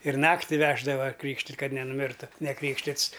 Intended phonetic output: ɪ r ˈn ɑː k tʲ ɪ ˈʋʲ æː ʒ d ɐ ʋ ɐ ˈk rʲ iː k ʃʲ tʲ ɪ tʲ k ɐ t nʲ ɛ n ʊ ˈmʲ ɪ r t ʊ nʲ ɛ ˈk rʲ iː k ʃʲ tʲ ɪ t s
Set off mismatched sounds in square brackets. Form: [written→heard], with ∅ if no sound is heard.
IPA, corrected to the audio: ɪ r ˈn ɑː k tʲ ɪ ˈʋʲ æː ʒ d ɐ ʋ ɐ ˈk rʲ iː k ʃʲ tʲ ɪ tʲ k ɐ t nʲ ɛ n ʊ ˈmʲ ɪ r t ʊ nʲ ɛ ˈk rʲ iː k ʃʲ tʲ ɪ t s